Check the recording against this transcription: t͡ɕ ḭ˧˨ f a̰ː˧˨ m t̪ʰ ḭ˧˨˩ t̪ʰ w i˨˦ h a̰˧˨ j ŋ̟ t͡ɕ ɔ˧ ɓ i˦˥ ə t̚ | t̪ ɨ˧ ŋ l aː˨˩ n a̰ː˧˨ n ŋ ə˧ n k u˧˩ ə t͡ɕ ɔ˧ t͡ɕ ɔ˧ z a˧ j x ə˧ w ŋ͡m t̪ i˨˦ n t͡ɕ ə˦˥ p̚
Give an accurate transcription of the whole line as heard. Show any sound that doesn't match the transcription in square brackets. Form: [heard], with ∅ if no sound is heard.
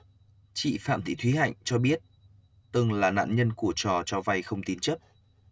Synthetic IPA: t͡ɕ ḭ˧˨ f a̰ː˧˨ m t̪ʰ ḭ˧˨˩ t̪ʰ w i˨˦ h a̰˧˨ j ŋ̟ t͡ɕ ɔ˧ ɓ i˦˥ ə t̚ | t̪ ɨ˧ ŋ l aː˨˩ n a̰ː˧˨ n [ɲ] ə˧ n k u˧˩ ə t͡ɕ [ɔ˨˩] t͡ɕ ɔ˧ [v] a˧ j x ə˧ w ŋ͡m t̪ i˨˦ n t͡ɕ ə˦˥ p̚